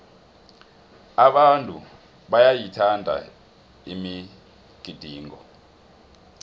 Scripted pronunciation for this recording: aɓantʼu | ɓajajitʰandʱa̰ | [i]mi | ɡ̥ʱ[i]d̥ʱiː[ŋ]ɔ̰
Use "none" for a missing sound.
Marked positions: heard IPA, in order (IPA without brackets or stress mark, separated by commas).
i, i, ŋ